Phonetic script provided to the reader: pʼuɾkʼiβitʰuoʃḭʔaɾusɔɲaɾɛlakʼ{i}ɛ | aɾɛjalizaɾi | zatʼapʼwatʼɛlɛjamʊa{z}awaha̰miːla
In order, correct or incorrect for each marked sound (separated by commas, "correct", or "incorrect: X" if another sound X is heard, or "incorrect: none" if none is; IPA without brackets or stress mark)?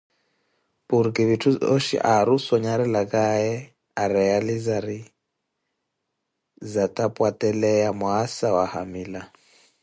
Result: incorrect: a, incorrect: s